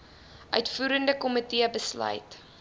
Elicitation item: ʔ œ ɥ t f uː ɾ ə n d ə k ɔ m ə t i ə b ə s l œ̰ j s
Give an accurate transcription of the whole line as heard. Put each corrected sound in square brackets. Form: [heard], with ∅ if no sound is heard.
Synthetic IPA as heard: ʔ œ ɥ t f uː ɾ ə n d ə k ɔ m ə t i ə b ə s l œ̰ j [t]